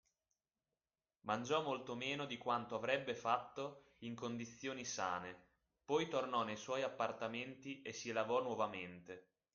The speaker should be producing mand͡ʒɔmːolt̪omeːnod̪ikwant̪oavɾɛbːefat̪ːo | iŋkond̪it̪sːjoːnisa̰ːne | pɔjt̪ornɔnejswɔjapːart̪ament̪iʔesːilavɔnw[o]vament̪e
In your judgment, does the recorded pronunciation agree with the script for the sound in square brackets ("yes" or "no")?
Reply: no